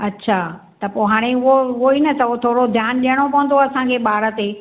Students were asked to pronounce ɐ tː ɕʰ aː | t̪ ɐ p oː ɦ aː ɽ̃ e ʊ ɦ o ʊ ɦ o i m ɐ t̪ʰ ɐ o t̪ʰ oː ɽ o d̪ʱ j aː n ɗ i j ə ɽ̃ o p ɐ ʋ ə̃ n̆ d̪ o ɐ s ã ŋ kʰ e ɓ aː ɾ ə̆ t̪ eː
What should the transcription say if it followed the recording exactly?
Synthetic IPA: ɐ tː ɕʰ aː | t̪ ɐ p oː ɦ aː ɽ̃ e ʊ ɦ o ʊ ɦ o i n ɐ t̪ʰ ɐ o t̪ʰ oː ɽ o d̪ʱ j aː n ɗ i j ə ɽ̃ o p ɐ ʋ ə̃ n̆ d̪ o ɐ s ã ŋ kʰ e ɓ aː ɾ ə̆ t̪ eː

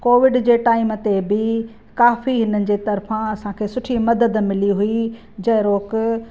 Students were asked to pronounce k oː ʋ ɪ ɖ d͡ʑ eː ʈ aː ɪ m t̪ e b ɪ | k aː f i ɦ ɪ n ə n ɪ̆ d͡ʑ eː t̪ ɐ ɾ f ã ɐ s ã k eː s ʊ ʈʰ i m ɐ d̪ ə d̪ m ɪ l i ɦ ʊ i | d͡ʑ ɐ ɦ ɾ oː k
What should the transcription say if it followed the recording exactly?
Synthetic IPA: k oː ʋ ɪ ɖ d͡ʑ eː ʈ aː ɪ m t̪ e b ɪ | k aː f i ɦ ɪ n ə n ɪ̆ d͡ʑ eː t̪ ɐ ɾ f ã ɐ s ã kʰ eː s ʊ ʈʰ i m ɐ d̪ ə d̪ m ɪ l i ɦ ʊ i | d͡ʑ ɐ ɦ ɾ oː k

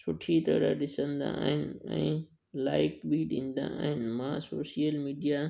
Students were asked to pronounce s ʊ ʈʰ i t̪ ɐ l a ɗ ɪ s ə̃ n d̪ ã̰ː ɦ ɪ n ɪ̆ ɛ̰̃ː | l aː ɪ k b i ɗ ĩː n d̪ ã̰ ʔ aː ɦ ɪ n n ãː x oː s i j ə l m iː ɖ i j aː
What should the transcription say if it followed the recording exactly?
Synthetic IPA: s ʊ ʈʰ i t̪ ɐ ɽ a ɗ ɪ s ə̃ n d̪ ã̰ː ɦ ɪ n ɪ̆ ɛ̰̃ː | l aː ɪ k b i ɗ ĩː n d̪ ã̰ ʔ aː ɦ ɪ n m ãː s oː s i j ə l m iː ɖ i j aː

